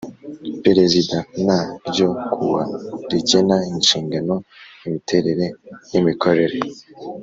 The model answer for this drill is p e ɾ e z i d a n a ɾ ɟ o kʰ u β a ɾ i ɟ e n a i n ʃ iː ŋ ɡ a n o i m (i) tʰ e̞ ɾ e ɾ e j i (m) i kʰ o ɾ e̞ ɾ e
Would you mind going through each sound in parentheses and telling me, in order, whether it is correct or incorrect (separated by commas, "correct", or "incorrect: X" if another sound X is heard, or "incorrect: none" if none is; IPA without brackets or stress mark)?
correct, correct